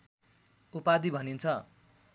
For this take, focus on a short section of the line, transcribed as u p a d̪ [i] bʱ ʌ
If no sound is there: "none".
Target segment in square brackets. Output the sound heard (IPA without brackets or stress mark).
i